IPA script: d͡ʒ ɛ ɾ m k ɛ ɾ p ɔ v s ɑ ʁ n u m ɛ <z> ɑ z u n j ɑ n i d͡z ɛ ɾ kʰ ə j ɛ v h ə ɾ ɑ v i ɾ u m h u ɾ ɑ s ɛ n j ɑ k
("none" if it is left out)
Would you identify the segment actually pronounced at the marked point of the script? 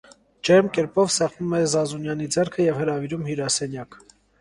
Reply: z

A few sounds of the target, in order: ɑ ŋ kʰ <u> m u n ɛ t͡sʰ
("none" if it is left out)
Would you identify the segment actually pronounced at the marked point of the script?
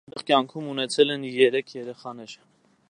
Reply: u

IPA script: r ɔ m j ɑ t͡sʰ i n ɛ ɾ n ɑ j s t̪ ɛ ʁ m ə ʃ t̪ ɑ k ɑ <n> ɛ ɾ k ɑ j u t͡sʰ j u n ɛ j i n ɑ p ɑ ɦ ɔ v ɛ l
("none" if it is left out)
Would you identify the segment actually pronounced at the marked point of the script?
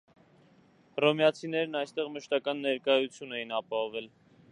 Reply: nː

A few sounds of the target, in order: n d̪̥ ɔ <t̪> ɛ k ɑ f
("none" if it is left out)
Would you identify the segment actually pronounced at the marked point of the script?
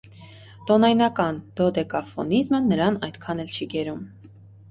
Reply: d̪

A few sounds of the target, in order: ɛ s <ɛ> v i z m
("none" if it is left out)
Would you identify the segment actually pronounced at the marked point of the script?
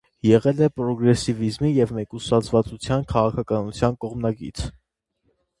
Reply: i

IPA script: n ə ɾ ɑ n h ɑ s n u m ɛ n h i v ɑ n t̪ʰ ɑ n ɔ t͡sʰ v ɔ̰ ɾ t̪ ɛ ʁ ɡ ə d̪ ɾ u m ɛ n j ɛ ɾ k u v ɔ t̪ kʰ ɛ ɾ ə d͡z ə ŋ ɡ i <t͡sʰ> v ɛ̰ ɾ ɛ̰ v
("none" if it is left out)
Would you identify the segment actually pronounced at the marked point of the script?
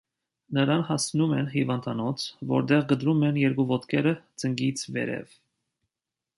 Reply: t͡sʰ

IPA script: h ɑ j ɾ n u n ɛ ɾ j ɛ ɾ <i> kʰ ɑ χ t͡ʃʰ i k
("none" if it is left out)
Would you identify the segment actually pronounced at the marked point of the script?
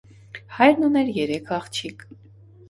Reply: ɛ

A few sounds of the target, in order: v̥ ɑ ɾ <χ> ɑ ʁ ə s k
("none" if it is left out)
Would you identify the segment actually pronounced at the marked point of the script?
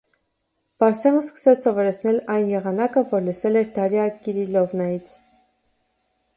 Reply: s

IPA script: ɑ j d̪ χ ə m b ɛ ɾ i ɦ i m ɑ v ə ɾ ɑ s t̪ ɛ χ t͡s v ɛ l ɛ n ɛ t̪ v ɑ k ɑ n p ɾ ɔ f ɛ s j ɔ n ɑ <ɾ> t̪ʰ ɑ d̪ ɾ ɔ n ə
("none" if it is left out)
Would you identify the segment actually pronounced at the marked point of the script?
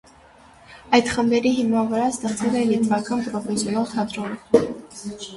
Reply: l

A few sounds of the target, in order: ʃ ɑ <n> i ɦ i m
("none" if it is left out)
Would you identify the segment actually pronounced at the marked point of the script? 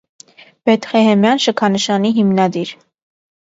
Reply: n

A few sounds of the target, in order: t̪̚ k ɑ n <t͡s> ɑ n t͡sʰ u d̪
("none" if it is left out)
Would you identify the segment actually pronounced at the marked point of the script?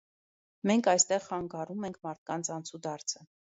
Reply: t͡sʰ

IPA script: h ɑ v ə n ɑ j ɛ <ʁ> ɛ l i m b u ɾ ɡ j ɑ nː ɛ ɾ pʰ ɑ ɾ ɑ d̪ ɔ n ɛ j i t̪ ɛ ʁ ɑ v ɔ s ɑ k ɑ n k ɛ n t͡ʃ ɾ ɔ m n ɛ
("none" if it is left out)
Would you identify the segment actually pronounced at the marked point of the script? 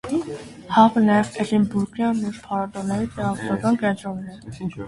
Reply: v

